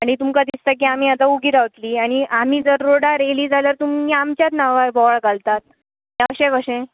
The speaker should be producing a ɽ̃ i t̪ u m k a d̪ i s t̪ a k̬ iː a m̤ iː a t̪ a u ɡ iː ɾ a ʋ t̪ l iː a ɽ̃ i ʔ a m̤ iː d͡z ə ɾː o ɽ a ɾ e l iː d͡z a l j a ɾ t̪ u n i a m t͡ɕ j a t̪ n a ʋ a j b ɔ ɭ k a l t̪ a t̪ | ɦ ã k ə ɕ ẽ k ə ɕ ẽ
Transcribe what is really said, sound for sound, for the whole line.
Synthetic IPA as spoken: a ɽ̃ i t̪ u m k a d̪ i s t̪ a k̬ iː a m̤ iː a t̪ a u ɡ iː ɾ a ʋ t̪ l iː a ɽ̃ i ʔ a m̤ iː d͡z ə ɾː o ɽ a ɾ e l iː d͡z a l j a ɾ t̪ u m i a m t͡ɕ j a t̪ n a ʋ a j b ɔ ɭ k a l t̪ a t̪ | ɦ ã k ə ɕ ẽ k ə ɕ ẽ